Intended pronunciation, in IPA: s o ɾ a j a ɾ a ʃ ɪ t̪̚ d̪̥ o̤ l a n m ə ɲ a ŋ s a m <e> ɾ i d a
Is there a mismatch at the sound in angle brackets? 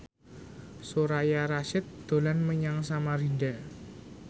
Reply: yes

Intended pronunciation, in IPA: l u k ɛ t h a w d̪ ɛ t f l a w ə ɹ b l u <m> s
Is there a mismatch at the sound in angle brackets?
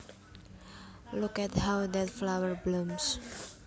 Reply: no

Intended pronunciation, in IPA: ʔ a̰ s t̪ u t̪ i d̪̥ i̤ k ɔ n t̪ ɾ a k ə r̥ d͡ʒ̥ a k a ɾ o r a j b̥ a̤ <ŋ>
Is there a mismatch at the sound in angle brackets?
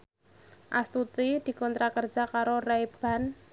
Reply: yes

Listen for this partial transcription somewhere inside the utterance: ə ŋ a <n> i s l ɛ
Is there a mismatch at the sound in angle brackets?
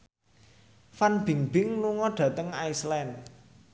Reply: yes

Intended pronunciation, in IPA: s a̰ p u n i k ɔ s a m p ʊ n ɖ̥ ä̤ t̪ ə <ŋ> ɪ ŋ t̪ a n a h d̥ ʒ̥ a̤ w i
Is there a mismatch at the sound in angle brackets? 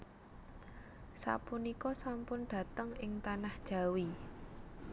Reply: no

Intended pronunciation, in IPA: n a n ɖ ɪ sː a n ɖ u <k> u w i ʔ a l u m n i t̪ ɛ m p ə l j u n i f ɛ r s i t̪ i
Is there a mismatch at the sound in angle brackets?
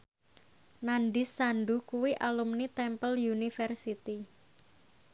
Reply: no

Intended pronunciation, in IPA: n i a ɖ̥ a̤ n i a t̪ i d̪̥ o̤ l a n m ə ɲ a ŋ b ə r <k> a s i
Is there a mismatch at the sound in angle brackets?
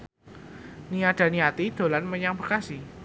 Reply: no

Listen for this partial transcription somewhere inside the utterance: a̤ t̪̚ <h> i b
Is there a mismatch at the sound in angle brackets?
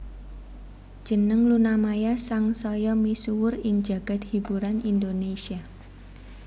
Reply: no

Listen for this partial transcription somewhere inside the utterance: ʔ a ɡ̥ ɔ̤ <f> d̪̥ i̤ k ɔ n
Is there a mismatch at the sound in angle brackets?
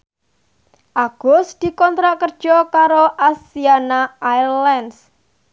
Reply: yes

